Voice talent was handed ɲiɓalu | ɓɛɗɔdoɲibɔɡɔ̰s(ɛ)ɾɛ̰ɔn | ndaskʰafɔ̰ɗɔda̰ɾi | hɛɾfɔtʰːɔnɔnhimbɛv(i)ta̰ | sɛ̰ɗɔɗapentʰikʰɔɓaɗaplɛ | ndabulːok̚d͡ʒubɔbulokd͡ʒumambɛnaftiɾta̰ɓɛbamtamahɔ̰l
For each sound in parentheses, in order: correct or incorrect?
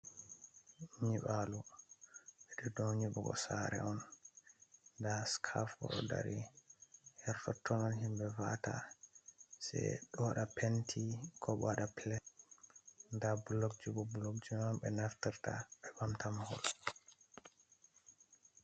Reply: incorrect, incorrect

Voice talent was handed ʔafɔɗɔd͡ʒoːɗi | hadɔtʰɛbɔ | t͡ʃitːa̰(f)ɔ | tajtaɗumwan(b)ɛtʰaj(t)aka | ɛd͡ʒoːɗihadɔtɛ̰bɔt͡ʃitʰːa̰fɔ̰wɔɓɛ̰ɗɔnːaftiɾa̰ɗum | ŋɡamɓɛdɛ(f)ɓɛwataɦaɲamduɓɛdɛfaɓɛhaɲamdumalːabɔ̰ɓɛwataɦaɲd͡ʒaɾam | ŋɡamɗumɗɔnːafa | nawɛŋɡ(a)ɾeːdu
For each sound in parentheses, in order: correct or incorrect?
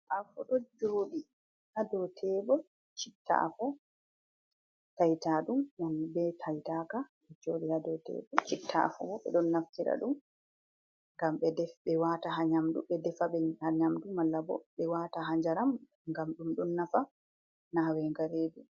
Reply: correct, correct, correct, correct, correct

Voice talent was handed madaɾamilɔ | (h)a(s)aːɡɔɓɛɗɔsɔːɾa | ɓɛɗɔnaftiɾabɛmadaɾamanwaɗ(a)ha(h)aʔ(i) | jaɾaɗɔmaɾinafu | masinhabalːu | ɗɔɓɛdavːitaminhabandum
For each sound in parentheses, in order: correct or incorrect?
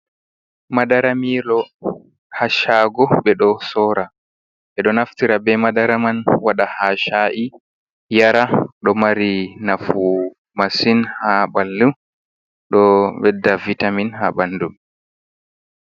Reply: correct, incorrect, correct, incorrect, correct

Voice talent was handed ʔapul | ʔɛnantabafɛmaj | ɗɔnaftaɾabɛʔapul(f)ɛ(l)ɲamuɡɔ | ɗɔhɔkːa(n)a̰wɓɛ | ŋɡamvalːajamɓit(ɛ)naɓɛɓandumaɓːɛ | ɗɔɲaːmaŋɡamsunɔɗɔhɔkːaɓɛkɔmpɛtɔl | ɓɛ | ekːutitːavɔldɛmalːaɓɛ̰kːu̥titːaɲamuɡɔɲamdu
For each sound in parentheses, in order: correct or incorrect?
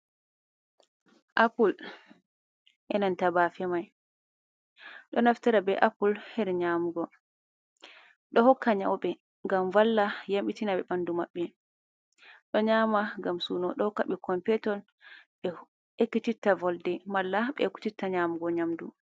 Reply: incorrect, incorrect, incorrect, incorrect

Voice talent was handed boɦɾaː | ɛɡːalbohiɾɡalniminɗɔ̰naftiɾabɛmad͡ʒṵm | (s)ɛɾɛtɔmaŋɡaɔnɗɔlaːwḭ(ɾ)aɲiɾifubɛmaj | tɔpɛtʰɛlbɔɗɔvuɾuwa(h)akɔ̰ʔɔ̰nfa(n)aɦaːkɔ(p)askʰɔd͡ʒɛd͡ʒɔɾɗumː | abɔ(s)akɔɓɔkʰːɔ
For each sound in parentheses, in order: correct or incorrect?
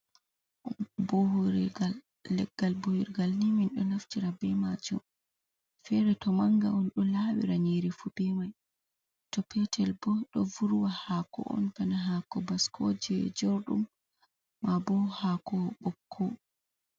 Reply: incorrect, correct, correct, correct, incorrect, incorrect

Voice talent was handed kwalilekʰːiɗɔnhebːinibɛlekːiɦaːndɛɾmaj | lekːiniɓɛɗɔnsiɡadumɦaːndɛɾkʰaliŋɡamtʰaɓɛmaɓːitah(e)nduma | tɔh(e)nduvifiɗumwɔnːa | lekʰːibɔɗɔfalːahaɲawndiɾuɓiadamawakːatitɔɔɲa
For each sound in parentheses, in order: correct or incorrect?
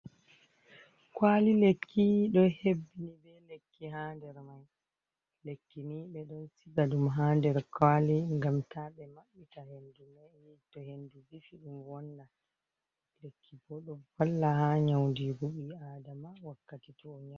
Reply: correct, correct

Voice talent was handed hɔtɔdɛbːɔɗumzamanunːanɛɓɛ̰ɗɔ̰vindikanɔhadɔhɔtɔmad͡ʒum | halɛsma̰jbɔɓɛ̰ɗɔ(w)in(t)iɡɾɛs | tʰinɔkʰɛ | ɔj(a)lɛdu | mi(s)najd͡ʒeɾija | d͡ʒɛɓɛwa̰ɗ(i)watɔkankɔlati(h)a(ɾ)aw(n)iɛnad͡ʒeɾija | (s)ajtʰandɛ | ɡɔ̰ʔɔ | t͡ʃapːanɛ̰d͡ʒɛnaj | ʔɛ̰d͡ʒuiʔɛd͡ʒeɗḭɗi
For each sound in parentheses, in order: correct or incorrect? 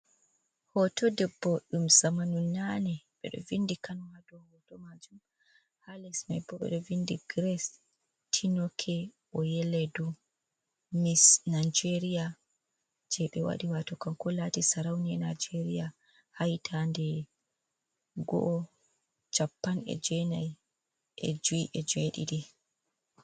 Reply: incorrect, incorrect, incorrect, correct, correct, incorrect, correct, correct, incorrect

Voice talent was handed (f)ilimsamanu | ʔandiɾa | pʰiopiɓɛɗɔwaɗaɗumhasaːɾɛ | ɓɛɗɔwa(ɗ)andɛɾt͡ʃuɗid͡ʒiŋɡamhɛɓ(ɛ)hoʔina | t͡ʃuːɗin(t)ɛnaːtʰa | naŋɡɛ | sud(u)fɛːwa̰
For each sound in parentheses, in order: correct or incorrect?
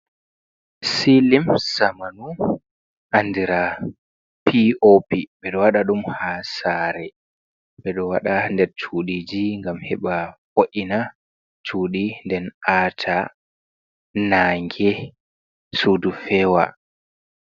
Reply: incorrect, correct, incorrect, incorrect, correct

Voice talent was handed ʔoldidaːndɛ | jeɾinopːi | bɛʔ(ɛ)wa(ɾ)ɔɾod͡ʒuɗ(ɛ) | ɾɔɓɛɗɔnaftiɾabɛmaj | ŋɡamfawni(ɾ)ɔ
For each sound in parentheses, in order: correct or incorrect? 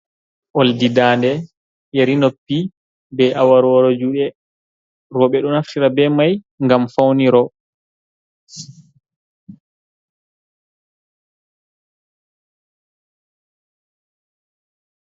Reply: incorrect, correct, correct, correct

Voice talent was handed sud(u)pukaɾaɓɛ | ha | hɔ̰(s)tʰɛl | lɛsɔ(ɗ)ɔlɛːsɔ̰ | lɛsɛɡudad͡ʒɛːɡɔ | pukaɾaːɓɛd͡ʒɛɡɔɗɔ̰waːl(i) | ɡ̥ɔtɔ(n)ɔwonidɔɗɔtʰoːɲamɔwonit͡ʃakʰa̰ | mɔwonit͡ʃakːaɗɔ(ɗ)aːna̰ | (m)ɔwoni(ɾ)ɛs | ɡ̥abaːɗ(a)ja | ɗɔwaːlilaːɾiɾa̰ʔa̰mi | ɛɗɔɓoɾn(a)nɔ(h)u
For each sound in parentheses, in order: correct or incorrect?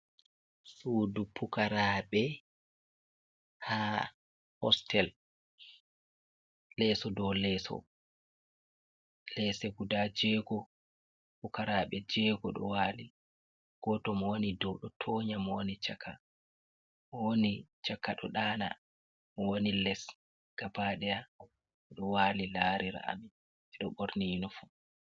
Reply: correct, correct, incorrect, correct, incorrect, correct, correct, incorrect, incorrect, incorrect, incorrect

